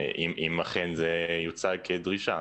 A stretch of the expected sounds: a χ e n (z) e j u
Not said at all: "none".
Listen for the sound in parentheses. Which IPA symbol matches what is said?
z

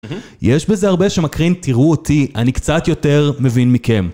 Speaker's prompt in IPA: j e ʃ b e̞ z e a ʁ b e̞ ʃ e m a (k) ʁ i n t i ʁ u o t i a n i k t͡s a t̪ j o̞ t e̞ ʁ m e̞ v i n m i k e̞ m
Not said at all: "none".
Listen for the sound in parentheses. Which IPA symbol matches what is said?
k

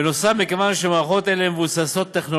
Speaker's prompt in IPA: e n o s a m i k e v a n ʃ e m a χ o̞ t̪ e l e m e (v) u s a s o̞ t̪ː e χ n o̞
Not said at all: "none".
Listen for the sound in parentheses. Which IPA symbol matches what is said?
v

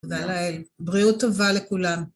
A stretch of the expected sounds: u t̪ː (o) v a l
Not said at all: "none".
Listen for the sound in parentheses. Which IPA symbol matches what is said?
o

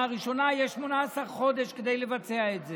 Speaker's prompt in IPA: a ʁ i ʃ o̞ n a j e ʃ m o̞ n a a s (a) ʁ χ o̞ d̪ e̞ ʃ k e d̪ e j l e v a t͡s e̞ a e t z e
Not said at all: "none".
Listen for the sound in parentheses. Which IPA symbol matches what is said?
a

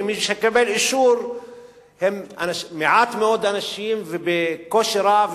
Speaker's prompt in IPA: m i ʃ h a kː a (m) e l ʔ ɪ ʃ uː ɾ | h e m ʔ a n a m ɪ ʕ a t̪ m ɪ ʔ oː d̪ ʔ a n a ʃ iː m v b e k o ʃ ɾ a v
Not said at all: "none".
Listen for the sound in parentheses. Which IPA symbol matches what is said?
b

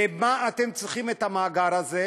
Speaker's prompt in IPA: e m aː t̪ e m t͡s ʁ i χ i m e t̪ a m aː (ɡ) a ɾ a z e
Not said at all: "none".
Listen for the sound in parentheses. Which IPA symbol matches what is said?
ɡ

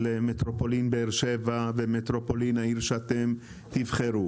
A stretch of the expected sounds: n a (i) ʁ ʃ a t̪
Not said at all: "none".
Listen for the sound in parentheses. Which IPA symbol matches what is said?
i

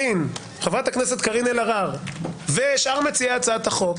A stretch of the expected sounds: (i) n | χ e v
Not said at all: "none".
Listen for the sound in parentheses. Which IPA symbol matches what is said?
i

